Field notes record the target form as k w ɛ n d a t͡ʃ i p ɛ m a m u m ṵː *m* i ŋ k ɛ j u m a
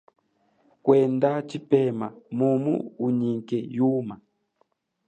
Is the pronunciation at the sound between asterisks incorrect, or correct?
incorrect: ɲ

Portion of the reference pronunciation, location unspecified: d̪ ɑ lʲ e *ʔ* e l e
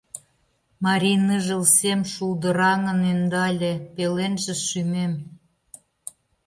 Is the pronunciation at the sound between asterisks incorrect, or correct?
incorrect: p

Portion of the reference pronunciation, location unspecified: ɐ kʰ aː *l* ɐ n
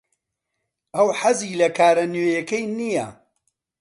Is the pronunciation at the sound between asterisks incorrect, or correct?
incorrect: ɾ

